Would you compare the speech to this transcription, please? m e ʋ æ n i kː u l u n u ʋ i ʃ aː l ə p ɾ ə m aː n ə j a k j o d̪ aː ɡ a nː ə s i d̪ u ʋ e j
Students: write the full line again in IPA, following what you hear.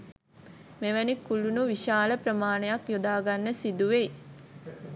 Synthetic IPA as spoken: m e ʋ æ n i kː u l u n u ʋ i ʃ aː l ə p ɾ ə m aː n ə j a k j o d̪ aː ɡ a nː ə s i d̪ u ʋ e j

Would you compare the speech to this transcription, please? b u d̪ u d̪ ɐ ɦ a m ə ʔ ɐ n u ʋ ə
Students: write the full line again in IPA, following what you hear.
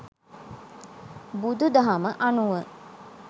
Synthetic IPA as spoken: b u d̪ u d̪ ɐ ɦ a m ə ʔ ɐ n u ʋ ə

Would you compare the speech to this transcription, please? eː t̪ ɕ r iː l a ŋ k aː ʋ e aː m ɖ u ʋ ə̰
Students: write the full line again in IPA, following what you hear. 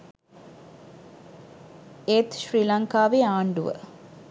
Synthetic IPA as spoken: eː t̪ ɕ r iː l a ŋ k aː ʋ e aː ɳ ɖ u ʋ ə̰

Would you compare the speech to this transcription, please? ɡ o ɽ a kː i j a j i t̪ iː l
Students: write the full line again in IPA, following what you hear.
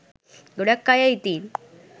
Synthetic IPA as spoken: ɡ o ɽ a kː a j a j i t̪ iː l

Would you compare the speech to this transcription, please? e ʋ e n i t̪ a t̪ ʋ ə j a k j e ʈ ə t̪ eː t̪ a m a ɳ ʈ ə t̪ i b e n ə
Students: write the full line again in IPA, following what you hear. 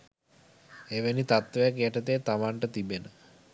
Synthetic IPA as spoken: e ʋ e n i t̪ a t̪ ʋ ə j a k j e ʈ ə t̪ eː t̪ a m a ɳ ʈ ə t̪ i b e n ə

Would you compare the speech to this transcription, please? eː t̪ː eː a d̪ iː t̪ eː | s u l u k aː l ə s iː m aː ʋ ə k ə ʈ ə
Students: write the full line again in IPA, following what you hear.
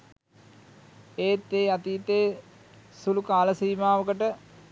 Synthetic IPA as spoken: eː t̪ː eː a t̪ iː t̪ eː | s u l u k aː l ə s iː m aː ʋ ə k ə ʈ ə

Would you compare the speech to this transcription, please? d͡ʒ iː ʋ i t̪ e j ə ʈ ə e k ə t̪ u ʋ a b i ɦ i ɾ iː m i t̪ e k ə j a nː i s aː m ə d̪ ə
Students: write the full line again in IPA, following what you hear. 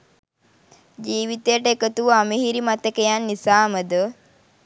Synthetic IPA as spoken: d͡ʒ iː ʋ i t̪ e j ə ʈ ə e k ə t̪ u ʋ a m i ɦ i ɾ i m a t̪ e k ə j a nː i s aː m ə d̪ ə

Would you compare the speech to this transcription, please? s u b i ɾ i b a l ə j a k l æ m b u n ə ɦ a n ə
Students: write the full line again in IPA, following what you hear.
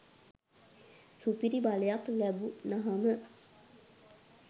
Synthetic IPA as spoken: s u p i ɾ i b a l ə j a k l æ b u n a ɦ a m ə

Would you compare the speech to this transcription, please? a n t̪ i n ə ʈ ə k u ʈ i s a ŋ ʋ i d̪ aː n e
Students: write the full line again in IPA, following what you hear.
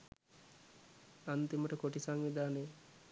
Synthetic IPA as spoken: a n t̪ i m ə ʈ ə k o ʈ i s a ŋ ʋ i d̪ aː n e

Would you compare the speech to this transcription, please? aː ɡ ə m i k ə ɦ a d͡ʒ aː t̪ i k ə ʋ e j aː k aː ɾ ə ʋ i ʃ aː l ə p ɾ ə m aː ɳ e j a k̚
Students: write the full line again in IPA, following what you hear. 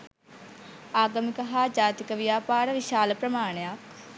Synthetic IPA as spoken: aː ɡ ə m i k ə ɦ a d͡ʒ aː t̪ i k ə ʋ i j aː p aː ɾ ə ʋ i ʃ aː l ə p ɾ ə m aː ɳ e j a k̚

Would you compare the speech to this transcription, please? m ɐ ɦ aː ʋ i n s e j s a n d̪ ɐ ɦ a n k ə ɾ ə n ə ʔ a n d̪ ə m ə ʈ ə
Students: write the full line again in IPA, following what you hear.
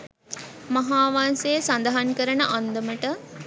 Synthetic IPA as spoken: m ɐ ɦ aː ʋ a n s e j s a n d̪ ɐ ɦ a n k ə ɾ ə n ə ʔ a n d̪ ə m ə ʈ ə

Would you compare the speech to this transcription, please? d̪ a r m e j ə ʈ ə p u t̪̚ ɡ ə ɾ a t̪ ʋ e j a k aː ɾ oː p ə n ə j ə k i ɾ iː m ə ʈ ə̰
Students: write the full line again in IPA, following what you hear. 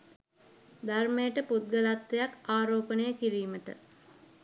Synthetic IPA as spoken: d̪ a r m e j ə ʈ ə p u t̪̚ ɡ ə l a t̪ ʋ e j a k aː ɾ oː p ə n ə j ə k i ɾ iː m ə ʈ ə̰

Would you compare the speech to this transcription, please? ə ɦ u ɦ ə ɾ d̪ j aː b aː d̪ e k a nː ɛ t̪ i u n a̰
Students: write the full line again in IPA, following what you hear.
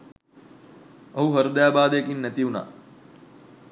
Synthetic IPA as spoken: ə ɦ u ɦ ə ɾ d̪ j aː b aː d̪ e k i nː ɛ t̪ i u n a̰

